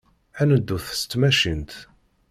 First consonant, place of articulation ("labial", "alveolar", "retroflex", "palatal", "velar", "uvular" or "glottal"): alveolar